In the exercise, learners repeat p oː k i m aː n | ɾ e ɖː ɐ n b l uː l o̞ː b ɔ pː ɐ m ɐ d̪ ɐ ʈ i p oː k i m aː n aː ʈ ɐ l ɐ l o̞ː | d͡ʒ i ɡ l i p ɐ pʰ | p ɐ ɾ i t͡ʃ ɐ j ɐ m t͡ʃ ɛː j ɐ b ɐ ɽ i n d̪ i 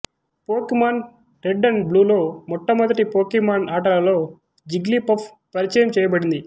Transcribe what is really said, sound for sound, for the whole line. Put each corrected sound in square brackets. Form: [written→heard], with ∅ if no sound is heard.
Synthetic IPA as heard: p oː k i m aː n | ɾ e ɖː ɐ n b l uː l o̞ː [b→m] ɔ [pː→ʈː] ɐ m ɐ d̪ ɐ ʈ i p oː k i m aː n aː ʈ ɐ l ɐ l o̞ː | d͡ʒ i ɡ l i p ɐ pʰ | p ɐ ɾ i t͡ʃ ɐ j ɐ m t͡ʃ ɛː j ɐ b ɐ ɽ i n d̪ i

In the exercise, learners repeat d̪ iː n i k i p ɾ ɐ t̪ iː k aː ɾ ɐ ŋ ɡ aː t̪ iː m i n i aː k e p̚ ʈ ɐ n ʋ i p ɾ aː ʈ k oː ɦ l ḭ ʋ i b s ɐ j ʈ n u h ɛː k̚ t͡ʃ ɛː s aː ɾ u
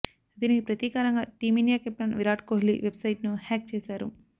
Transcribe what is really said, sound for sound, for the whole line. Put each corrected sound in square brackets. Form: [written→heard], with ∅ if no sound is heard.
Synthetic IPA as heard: d̪ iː n i k i p ɾ ɐ t̪ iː k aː ɾ ɐ ŋ ɡ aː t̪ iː m i n [i→j] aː k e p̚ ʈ ɐ n ʋ i [p→∅] ɾ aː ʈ k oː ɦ l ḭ ʋ [i→e] b s ɐ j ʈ n u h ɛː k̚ t͡ʃ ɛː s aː ɾ u

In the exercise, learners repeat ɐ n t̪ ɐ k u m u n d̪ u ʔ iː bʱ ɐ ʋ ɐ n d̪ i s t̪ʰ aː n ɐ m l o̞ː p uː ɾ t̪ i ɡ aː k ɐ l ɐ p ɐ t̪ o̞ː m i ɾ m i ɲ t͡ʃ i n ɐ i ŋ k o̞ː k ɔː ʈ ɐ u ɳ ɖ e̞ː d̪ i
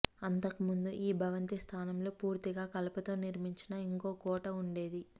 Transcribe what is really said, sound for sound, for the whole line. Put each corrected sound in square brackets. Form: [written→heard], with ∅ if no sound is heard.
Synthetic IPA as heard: ɐ n t̪ ɐ k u m u n d̪ u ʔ iː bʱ ɐ ʋ ɐ n [d̪→t̪] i s t̪ʰ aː n ɐ m l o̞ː p uː ɾ t̪ i ɡ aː k ɐ l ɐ p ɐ t̪ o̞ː [m→n] i ɾ m i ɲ t͡ʃ i n ɐ i ŋ k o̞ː k ɔː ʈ ɐ u ɳ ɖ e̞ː d̪ i

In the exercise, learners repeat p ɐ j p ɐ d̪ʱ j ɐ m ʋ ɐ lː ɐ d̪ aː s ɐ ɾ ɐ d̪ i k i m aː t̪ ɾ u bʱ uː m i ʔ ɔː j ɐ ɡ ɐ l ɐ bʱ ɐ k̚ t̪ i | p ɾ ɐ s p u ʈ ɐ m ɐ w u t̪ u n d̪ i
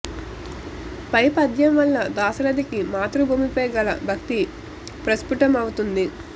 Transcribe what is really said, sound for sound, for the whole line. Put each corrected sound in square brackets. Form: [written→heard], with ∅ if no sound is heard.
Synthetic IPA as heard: p ɐ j p ɐ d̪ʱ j ɐ m ʋ ɐ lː ɐ d̪ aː s ɐ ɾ ɐ d̪ i k i m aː t̪ ɾ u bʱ uː m i [ʔ→p] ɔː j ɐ ɡ ɐ l ɐ bʱ ɐ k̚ t̪ i | p ɾ ɐ s p u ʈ ɐ m ɐ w u t̪ u n d̪ i

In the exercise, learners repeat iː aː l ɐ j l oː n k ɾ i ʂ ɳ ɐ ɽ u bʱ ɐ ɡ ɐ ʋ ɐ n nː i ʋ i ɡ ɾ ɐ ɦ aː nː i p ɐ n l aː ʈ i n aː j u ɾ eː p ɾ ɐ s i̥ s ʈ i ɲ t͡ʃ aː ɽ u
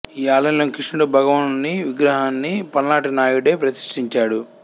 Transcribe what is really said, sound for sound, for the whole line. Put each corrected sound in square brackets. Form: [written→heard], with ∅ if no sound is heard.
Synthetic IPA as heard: iː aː l ɐ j l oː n k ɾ i ʂ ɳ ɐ ɽ u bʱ ɐ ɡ ɐ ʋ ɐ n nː i ʋ i ɡ ɾ ɐ ɦ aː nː i p ɐ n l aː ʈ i n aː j u [ɾ→ɽ] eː p ɾ ɐ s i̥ [s→ʂ] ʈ i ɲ t͡ʃ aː ɽ u

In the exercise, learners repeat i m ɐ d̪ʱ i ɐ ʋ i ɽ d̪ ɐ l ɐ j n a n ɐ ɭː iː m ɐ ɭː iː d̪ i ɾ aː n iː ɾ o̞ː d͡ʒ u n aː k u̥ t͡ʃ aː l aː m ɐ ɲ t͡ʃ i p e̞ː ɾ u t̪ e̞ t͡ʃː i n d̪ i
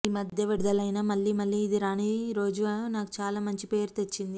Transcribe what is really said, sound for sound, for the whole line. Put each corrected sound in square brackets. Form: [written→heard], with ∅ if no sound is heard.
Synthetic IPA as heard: i m ɐ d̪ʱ [i→j] ɐ ʋ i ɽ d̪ ɐ l ɐ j n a [n→m] ɐ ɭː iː m ɐ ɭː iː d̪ i ɾ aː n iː ɾ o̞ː d͡ʒ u n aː k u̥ t͡ʃ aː l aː m ɐ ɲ t͡ʃ i p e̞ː ɾ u t̪ e̞ t͡ʃː i n d̪ i

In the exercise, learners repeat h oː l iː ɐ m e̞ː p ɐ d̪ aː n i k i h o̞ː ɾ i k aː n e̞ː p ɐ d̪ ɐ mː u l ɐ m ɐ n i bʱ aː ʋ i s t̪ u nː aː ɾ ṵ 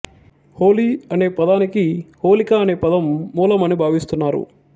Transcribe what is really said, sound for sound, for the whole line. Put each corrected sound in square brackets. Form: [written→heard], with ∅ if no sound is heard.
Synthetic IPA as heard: h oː l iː ɐ [m→n] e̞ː p ɐ d̪ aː n i k i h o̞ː [ɾ→l] i k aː n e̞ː p ɐ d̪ ɐ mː [u→uː] l ɐ m ɐ n i bʱ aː ʋ i s t̪ u nː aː ɾ ṵ

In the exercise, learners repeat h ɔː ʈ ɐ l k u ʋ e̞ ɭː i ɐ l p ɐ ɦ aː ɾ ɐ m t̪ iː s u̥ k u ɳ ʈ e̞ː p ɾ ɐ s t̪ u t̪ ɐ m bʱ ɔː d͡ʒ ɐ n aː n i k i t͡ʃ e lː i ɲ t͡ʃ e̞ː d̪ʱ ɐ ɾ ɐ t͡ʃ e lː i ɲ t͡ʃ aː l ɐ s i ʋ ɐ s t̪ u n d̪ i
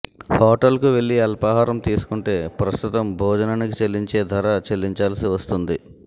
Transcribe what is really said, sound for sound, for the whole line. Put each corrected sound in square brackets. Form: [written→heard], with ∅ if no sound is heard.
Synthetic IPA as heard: h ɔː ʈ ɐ l k u ʋ e̞ ɭː i ɐ l p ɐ ɦ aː ɾ ɐ m t̪ iː s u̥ k u ɳ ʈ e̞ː p ɾ ɐ s t̪ u t̪ ɐ m bʱ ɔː d͡ʒ ɐ n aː n i k i t͡ʃ e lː i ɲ t͡ʃ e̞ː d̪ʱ ɐ ɾ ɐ t͡ʃ e lː i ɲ t͡ʃ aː l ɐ s i ʋ ɐ s t̪ u n d̪ i

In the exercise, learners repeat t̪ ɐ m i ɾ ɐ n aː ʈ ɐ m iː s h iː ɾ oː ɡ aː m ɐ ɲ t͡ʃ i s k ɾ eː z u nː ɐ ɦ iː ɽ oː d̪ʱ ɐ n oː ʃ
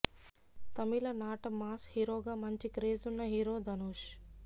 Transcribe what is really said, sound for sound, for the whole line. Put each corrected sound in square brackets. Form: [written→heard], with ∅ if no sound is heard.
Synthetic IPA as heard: t̪ ɐ m i [ɾ→l] ɐ n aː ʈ ɐ m [iː→aː] s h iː ɾ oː ɡ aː m ɐ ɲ t͡ʃ i [s→∅] k ɾ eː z u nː ɐ ɦ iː [ɽ→ɾ] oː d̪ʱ ɐ n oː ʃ

